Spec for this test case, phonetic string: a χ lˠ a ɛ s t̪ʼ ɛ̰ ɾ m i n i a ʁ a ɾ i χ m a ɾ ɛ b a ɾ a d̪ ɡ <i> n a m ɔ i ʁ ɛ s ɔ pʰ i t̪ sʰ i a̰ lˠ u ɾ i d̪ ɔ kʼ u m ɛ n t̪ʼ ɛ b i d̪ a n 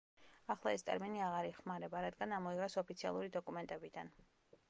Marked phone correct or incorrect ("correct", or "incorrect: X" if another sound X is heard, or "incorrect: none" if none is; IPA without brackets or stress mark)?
incorrect: a